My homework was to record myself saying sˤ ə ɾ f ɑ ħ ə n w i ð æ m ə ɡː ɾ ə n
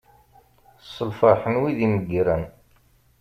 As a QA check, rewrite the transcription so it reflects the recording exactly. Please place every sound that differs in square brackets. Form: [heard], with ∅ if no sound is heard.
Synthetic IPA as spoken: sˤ ə [l] f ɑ ħ ə n w i ð [i] m ə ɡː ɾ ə n